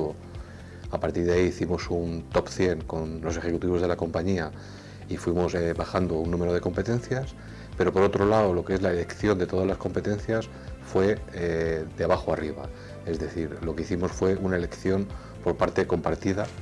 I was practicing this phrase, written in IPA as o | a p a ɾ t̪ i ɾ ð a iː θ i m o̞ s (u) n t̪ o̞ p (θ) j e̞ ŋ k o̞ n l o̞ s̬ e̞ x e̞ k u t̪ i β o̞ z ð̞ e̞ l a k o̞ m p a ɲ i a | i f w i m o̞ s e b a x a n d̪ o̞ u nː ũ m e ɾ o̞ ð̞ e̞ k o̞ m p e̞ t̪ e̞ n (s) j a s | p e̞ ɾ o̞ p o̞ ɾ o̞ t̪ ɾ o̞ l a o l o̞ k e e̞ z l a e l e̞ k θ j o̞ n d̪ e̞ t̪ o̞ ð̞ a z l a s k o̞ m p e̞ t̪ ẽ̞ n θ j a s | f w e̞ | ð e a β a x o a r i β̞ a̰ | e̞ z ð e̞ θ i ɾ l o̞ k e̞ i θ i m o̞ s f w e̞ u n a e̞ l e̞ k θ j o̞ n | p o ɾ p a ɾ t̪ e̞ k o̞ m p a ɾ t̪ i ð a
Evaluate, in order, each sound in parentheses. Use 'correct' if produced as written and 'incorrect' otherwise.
correct, correct, incorrect: θ

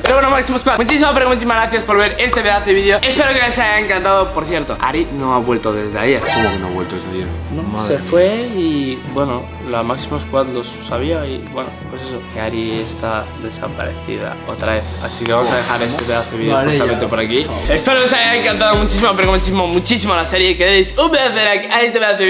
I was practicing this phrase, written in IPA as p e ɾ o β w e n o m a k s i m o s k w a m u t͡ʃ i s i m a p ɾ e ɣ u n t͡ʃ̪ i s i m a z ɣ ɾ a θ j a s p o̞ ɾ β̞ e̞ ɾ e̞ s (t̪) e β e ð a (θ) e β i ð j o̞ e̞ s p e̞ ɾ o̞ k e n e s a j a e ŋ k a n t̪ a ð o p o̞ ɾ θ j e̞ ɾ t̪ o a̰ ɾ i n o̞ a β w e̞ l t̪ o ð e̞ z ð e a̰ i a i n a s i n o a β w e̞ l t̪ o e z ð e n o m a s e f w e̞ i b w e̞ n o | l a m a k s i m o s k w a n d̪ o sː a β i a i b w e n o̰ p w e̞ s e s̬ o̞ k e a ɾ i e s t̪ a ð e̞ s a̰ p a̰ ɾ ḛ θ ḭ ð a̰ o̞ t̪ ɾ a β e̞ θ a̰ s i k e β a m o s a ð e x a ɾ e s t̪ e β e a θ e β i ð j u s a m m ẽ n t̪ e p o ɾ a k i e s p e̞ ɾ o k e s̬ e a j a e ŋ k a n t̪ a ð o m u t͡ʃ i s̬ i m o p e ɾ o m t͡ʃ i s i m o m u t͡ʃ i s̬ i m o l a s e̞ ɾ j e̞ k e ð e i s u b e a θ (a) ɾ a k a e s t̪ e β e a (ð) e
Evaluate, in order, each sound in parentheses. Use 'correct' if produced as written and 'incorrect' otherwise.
correct, correct, incorrect: e, incorrect: θ

